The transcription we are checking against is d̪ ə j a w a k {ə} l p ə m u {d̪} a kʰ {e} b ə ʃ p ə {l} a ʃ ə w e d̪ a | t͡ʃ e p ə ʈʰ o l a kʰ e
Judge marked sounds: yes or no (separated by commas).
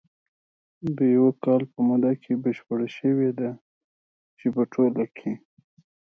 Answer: no, yes, yes, no